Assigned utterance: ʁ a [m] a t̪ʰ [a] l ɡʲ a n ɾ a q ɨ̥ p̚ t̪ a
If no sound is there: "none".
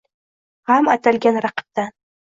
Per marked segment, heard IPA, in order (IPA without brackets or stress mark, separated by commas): m, a